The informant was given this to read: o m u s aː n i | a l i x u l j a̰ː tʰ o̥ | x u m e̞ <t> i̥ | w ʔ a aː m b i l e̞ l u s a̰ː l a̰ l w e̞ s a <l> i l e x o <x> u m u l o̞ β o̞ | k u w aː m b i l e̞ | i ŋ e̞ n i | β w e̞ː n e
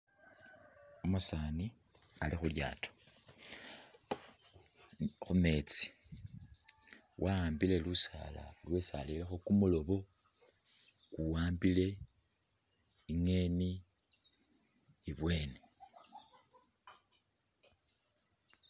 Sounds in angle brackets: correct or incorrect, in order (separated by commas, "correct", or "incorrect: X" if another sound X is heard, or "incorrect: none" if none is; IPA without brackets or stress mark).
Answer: incorrect: t͡s, correct, incorrect: k